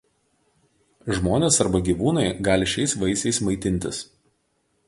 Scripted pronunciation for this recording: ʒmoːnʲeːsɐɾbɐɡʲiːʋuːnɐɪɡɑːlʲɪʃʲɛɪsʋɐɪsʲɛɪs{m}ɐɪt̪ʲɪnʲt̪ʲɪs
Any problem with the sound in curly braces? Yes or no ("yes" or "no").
no